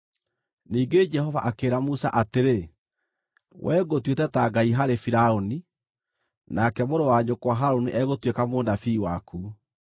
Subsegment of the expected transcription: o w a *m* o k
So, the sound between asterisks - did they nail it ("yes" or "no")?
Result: no